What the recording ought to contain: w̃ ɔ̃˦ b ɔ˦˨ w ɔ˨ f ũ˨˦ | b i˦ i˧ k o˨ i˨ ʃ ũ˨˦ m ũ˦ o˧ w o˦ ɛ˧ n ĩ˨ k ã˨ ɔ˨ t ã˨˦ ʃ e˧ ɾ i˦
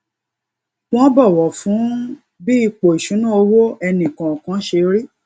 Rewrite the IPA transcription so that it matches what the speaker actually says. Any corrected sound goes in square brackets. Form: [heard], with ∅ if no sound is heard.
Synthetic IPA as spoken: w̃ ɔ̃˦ b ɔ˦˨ w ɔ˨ f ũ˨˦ | b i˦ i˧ [k͡p] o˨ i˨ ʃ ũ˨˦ [n] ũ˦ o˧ w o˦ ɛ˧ n ĩ˨ k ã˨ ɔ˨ [k] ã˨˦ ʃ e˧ ɾ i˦